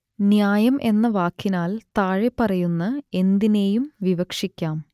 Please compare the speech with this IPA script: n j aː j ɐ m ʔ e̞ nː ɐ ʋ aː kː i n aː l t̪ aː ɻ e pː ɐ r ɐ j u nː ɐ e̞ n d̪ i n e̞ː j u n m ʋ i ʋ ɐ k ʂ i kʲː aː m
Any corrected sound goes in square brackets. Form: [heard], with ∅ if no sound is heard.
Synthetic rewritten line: n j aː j ɐ m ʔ e̞ nː ɐ ʋ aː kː i n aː l t̪ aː ɻ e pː ɐ r ɐ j u nː ɐ e̞ n d̪ i n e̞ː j u [∅] m ʋ i ʋ ɐ k ʂ i kʲː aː m